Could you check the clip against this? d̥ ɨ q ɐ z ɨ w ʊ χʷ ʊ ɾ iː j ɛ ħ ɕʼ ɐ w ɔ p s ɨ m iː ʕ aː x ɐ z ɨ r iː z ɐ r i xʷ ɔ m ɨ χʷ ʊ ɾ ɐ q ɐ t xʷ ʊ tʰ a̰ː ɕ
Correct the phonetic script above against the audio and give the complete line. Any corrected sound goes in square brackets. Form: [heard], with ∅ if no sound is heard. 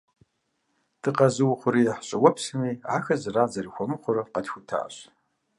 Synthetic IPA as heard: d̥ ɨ q ɐ z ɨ w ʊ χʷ ʊ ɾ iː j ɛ ħ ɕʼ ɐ w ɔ p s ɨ m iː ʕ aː x ɐ z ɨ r [aː] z ɐ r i xʷ ɔ m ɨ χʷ ʊ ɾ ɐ q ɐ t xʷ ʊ tʰ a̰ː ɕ